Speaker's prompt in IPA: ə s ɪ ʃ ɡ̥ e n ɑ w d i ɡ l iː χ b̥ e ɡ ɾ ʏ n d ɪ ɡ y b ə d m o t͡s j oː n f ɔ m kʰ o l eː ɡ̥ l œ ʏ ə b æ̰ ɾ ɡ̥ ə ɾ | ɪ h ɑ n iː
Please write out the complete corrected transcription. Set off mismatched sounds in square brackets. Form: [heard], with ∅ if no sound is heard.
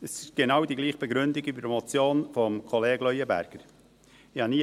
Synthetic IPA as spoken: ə s ɪ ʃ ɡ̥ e n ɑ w d i ɡ l iː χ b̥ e ɡ ɾ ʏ n d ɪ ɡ y b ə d m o t͡s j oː n f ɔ m kʰ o l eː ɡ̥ l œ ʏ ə b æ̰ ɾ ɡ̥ ə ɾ | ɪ h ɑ n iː

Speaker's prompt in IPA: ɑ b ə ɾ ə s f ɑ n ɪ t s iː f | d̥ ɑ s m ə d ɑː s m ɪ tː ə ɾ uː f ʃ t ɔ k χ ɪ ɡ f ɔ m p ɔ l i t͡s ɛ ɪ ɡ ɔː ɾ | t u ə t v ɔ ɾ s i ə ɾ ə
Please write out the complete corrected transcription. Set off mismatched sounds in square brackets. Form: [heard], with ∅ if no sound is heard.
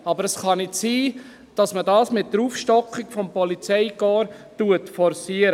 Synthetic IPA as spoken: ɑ b ə ɾ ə s [χ] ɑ n ɪ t s iː [∅] | d̥ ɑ s m ə d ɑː s m ɪ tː ə ɾ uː f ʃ t ɔ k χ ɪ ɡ f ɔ m p ɔ l i t͡s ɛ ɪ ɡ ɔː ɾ | t u ə t [f] ɔ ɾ s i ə ɾ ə

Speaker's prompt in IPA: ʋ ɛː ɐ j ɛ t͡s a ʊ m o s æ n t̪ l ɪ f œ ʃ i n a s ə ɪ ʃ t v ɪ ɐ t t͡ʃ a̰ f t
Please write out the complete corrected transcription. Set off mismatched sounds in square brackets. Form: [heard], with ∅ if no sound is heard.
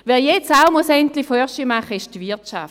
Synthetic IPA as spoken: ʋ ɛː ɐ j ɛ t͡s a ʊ m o s [ɛ] n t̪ l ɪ f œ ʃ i [m] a [χ] ə ɪ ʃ t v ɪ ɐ t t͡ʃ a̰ f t

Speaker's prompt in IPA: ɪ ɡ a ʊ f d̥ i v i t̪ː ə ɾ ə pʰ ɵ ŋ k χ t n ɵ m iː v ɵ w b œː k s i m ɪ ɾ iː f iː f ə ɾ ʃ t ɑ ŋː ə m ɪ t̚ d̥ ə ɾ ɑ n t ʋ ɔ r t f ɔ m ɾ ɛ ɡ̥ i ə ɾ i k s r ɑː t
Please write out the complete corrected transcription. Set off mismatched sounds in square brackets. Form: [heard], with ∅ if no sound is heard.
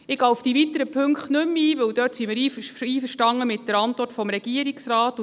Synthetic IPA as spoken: ɪ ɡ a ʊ f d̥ i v i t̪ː ə ɾ ə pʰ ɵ ŋ k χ t n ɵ m iː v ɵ w [d] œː [t] s i m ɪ ɾ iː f iː f ə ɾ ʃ t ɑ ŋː ə m ɪ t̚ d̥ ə ɾ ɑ n t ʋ ɔ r t f ɔ m ɾ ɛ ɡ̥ i ə ɾ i k s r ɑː t

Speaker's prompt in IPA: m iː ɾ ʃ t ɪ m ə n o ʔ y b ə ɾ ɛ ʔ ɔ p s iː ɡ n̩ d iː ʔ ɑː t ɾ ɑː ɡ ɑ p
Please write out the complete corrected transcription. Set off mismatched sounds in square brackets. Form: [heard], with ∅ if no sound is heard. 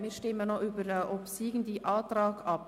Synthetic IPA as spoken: m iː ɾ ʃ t ɪ m ə n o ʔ y b ə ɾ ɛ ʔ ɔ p s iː ɡ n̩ d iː ʔ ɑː t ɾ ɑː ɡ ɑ p

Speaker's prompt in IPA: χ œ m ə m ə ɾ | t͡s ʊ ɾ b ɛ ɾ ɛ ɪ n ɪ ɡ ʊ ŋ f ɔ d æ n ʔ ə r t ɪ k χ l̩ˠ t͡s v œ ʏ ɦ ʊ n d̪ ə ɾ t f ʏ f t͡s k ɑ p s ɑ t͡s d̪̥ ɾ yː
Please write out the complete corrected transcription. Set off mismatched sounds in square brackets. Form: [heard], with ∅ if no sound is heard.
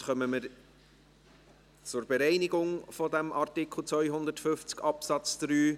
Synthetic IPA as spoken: χ œ m ə m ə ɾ | t͡s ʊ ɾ b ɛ ɾ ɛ ɪ n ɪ ɡ ʊ ŋ f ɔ d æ [m] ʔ [ɑ] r t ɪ k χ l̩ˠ t͡s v œ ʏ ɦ ʊ n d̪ ə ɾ t f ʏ f t͡s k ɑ p s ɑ t͡s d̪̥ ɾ yː

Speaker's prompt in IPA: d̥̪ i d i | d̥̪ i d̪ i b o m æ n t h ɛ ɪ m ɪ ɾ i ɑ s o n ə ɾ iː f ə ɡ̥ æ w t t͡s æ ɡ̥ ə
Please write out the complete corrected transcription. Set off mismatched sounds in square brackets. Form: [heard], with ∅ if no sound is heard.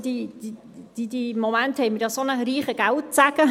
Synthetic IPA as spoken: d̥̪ i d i | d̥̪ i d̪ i [m] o m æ n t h ɛ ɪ m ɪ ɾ [j] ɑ s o n ə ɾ iː [χ] ə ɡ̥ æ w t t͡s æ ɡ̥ ə

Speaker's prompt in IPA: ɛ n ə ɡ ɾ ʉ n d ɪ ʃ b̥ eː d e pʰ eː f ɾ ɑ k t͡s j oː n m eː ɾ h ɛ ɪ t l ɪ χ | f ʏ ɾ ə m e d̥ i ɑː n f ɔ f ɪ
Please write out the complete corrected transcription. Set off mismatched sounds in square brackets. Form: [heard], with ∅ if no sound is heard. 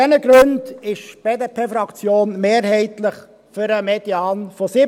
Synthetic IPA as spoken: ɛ n ə ɡ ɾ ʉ n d ɪ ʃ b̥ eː d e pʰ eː f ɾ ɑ k t͡s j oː n m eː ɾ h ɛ ɪ t l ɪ χ | f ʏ ɾ ə m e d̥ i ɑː n f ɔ [s] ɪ

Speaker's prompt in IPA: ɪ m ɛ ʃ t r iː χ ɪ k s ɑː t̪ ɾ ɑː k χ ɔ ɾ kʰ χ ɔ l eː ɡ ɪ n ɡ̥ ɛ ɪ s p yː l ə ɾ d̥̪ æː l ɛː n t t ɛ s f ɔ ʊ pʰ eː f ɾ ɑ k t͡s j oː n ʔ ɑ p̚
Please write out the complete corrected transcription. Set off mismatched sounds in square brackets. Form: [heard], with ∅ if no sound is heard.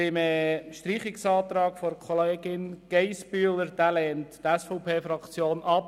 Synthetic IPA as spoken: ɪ m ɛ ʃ t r iː χ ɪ k s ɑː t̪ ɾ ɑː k [f] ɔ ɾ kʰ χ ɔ l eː ɡ ɪ n ɡ̥ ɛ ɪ s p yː l ə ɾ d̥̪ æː l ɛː n t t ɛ s f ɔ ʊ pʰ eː f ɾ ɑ k t͡s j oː n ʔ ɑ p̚

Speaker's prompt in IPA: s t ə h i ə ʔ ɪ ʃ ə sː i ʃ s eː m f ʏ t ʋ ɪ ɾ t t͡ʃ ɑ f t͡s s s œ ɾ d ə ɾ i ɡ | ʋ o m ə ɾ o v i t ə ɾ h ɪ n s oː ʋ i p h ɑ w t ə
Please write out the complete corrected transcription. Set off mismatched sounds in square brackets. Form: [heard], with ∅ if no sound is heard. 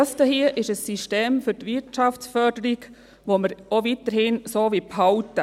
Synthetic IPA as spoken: s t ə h i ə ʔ ɪ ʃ ə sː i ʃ [t] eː m f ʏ t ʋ ɪ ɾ t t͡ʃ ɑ f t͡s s [f] œ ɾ d ə ɾ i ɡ | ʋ o m ə ɾ o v i t ə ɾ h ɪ n s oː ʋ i p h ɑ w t ə

